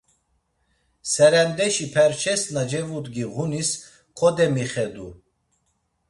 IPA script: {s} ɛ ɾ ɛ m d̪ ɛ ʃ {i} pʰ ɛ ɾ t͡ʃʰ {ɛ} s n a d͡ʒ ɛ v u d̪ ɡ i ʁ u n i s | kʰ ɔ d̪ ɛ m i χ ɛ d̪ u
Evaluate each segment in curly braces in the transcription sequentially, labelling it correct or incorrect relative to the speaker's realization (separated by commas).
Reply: correct, correct, correct